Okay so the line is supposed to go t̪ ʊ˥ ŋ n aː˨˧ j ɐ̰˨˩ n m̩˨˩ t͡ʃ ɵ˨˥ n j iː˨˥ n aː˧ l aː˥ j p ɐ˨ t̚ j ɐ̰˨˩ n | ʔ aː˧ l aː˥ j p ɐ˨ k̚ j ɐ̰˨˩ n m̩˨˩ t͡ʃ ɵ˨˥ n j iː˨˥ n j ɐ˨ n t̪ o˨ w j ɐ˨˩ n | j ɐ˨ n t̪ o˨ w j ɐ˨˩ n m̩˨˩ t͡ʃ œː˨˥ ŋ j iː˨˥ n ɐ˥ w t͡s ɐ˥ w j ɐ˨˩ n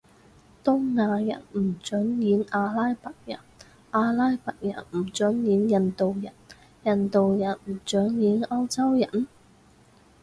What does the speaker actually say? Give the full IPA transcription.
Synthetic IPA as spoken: t̪ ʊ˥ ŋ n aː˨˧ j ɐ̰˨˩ n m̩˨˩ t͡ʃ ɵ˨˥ n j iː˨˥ n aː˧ l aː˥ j p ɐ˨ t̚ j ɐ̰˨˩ n | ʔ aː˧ l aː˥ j p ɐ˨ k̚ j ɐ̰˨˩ n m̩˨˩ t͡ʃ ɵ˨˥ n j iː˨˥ n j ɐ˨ n t̪ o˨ w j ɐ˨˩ n | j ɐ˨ n t̪ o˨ w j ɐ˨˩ n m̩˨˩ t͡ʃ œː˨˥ ŋ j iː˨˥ n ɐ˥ w t͡s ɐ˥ w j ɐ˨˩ n